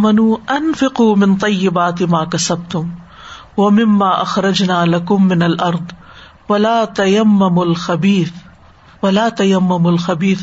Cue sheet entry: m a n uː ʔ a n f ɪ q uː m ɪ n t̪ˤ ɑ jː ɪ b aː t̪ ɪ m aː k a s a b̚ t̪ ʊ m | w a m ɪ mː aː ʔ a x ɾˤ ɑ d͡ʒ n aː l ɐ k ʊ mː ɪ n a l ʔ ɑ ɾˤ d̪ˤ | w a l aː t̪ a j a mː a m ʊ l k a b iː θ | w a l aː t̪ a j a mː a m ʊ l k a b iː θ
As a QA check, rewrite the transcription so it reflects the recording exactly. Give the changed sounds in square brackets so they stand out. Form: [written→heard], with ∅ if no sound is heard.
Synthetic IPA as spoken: m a n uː ʔ a n f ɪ q uː m ɪ n t̪ˤ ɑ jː ɪ b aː t̪ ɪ m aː k a s a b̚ t̪ ʊ m | w a m ɪ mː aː ʔ a x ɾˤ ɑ d͡ʒ n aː l [ɐ→a] k ʊ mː ɪ n a l ʔ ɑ ɾˤ d̪ˤ | w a l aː t̪ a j a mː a m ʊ l [k→x] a b iː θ | w a l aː t̪ a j a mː a m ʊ l [k→x] a b iː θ